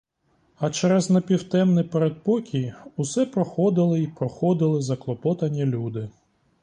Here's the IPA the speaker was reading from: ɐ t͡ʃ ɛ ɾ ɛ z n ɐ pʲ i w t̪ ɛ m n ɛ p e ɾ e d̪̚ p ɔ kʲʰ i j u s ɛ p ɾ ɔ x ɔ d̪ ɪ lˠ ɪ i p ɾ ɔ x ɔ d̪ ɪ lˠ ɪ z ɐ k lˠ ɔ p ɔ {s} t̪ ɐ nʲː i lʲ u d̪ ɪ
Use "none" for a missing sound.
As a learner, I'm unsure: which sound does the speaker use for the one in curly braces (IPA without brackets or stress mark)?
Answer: none